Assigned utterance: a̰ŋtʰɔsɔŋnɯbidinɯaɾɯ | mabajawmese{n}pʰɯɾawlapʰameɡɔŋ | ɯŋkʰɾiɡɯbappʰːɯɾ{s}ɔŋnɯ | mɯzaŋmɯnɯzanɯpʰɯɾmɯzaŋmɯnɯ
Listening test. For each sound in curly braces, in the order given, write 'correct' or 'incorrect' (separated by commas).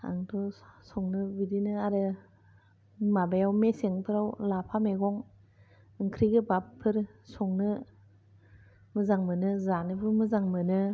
incorrect, correct